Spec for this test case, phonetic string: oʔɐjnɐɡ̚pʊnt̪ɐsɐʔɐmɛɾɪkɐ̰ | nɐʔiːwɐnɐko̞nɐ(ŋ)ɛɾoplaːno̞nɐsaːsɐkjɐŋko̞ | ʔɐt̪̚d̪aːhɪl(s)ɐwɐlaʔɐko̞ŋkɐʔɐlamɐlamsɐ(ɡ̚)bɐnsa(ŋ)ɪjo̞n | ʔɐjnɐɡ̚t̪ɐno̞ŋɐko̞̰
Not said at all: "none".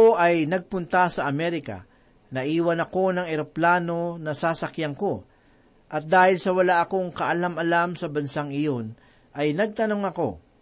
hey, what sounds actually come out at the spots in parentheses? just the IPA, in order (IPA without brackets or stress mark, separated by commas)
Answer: ŋ, s, none, ŋ